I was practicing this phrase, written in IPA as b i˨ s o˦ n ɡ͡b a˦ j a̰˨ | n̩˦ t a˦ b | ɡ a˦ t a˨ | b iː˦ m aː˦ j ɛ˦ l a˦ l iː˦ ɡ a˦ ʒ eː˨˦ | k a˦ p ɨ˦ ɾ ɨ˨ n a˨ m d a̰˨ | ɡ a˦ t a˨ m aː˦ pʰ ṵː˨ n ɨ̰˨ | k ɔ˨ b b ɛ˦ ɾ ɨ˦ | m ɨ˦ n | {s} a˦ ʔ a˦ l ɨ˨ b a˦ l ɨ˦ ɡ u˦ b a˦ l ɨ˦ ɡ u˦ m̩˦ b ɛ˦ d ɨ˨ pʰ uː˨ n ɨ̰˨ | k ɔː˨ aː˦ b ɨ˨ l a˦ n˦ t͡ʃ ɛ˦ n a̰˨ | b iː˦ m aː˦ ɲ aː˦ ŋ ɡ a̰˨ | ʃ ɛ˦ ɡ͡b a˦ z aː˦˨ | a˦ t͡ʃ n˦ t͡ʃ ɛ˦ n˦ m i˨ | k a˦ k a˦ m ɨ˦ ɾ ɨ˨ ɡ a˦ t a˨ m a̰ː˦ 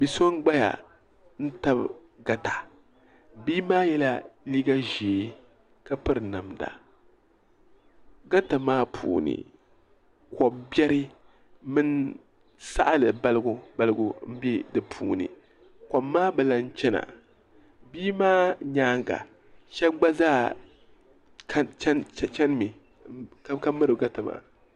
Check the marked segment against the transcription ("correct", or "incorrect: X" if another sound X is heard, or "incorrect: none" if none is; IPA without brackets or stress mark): correct